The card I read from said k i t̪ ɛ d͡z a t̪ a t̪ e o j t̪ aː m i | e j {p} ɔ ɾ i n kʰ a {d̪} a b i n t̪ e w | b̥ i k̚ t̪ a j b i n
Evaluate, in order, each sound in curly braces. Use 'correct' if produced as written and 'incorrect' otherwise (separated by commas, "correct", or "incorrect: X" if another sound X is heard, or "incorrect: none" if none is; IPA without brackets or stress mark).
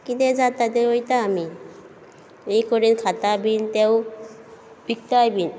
incorrect: k, incorrect: t̪